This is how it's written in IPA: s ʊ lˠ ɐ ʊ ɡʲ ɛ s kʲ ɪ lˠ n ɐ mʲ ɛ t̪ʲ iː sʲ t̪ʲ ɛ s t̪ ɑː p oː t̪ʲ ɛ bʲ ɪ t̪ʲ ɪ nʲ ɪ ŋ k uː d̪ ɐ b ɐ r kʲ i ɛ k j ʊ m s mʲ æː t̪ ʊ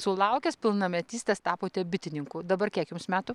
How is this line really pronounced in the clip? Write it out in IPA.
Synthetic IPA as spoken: s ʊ lˠ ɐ ʊ kʲ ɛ s pʲ ɪ lˠ n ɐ mʲ ɛ t̪ʲ iː sʲ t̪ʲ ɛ s t̪ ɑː p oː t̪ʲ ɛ bʲ ɪ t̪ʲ ɪ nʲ ɪ ŋ k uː d̪ ɐ b ɐ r kʲ i ɛ k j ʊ m s mʲ æː t̪ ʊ